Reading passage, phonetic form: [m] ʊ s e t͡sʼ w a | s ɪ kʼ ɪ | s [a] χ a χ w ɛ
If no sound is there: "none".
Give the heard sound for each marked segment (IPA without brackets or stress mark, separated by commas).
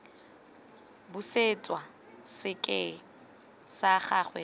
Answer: b, a